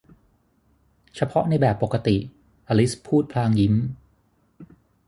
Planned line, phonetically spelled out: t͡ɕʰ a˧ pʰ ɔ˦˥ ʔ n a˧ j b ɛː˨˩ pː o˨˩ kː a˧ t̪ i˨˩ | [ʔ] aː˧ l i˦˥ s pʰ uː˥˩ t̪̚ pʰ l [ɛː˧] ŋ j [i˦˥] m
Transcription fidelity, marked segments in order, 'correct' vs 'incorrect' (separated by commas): correct, incorrect, correct